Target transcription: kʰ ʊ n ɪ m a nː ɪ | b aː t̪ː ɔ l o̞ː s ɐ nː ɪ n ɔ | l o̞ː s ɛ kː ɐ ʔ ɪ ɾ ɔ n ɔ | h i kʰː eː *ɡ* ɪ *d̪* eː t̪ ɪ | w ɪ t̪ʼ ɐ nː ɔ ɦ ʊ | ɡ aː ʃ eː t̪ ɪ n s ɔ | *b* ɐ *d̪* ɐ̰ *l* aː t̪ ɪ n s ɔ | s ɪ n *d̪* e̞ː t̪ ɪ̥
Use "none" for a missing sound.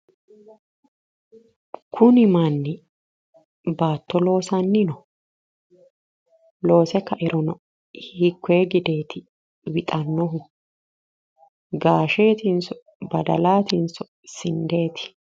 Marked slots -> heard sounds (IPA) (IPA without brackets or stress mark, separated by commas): ɡ, d̪, b, d̪, l, d̪